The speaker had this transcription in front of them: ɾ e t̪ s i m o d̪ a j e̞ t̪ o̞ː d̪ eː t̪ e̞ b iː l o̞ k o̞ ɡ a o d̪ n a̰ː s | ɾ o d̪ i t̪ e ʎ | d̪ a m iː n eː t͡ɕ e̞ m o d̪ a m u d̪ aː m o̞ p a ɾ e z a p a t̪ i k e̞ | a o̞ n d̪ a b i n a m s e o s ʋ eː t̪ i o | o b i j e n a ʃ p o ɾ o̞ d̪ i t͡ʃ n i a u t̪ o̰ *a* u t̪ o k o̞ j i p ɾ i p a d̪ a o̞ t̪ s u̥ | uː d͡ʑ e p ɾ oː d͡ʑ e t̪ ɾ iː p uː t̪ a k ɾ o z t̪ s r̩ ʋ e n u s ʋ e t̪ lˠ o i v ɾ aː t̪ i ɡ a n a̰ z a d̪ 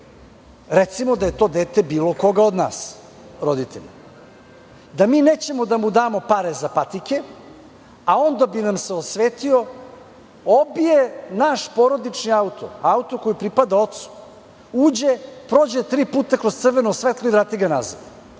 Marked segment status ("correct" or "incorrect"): correct